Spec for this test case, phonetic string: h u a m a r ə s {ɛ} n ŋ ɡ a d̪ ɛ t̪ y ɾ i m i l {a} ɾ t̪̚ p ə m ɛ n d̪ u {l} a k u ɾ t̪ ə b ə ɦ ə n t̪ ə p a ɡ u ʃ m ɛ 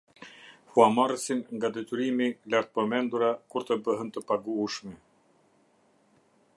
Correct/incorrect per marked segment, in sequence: incorrect, correct, incorrect

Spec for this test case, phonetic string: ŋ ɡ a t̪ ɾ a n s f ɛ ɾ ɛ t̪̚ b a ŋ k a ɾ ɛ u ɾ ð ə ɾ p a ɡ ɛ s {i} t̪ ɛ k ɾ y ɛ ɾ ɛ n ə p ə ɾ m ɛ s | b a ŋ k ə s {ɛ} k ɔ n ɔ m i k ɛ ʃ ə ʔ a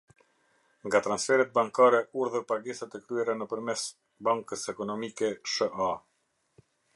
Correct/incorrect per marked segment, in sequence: incorrect, correct

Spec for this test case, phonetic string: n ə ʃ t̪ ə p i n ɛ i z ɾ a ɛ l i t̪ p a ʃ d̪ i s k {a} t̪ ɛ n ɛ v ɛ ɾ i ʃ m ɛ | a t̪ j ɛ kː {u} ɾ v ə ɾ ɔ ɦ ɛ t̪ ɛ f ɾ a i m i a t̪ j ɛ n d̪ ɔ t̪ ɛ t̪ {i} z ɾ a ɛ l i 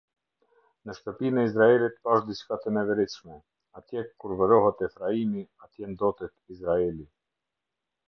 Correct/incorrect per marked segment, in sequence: correct, correct, correct

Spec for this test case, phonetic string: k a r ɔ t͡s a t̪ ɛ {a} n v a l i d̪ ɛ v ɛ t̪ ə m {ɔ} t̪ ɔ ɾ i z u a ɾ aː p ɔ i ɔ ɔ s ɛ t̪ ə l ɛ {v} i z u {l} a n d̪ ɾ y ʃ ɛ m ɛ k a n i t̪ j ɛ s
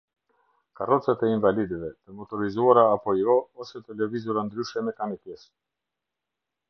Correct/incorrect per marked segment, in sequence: incorrect, correct, correct, incorrect

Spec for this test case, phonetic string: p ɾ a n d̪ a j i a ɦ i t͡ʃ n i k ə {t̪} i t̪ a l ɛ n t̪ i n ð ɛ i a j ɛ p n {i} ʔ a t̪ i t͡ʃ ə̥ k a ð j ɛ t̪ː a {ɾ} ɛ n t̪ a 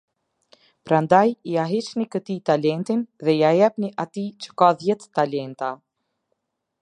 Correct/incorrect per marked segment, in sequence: correct, correct, incorrect

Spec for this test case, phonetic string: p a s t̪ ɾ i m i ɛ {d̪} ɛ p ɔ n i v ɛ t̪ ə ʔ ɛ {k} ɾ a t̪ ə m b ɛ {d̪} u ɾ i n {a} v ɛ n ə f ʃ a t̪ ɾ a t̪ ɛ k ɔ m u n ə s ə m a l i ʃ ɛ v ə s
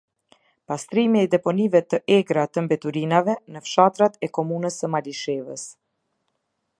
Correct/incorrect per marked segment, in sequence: correct, incorrect, incorrect, correct

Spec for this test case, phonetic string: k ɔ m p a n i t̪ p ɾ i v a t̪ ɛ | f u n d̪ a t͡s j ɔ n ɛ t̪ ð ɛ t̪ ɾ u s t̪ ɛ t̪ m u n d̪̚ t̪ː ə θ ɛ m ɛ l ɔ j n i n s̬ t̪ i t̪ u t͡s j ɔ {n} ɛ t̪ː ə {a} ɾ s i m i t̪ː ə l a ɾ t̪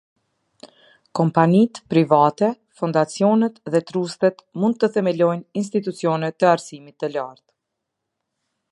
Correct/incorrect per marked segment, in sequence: correct, correct

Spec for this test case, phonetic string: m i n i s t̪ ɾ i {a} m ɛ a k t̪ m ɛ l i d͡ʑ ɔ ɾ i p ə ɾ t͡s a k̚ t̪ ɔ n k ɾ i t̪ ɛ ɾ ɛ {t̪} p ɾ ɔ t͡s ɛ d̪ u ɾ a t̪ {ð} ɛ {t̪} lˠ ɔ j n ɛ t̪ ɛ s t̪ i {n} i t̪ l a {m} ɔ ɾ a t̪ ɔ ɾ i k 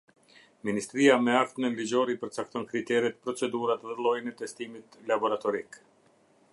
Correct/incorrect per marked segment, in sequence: correct, correct, correct, incorrect, incorrect, incorrect

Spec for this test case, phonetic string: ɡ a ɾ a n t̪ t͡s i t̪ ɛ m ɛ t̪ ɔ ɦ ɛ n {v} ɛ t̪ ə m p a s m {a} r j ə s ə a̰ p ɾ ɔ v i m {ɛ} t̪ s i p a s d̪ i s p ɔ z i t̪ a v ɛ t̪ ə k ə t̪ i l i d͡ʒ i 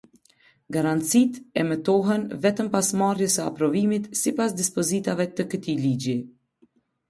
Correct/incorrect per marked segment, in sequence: correct, correct, incorrect

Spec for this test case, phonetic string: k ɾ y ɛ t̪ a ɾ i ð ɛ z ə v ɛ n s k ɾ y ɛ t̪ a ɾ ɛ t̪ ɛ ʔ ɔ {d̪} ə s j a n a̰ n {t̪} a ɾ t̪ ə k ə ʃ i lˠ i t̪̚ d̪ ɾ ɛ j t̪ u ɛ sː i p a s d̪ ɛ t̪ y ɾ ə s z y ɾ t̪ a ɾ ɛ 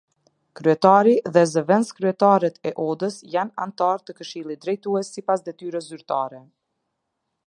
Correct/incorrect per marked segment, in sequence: correct, correct

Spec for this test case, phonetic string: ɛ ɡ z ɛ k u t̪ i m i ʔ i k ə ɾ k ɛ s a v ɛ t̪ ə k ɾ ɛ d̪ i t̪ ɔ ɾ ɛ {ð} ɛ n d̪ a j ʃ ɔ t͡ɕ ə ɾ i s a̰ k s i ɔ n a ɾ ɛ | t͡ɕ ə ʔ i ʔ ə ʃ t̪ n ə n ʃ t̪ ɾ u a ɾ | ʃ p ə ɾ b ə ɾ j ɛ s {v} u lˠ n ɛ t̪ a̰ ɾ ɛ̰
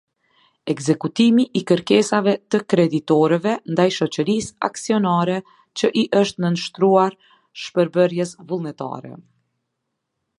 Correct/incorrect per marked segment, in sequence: incorrect, correct

